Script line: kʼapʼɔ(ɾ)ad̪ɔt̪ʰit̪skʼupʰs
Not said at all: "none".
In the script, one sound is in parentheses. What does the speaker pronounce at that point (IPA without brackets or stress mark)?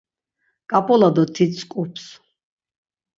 l